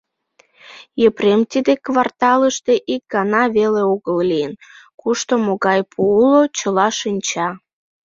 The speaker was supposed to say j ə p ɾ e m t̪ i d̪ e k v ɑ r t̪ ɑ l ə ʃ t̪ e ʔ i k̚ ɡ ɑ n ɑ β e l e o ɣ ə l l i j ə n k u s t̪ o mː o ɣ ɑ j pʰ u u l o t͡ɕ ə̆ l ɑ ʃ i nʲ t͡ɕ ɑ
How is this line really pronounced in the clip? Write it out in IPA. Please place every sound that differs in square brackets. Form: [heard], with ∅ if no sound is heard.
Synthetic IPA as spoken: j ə p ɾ e m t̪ i d̪ e k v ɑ r t̪ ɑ l ə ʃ t̪ e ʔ i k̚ ɡ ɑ n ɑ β e l e o ɣ ə l l i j ə n k u [ʃ] t̪ o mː o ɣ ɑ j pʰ u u l o t͡ɕ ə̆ l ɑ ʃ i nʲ t͡ɕ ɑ